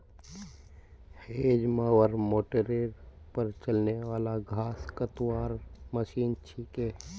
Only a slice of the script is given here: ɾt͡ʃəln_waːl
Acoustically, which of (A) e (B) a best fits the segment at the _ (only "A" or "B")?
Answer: A